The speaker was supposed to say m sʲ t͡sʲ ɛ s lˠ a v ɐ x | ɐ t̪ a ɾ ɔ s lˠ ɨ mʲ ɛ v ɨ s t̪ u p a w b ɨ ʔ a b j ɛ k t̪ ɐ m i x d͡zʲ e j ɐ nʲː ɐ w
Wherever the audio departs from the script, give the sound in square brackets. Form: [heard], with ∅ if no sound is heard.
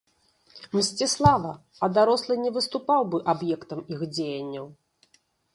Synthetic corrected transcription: m sʲ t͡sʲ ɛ s lˠ a v ɐ [∅] | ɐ [d̪] a ɾ ɔ s lˠ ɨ [nʲ] ɛ v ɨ s t̪ u p a w b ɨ ʔ a b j ɛ k t̪ ɐ m i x d͡zʲ e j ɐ nʲː ɐ w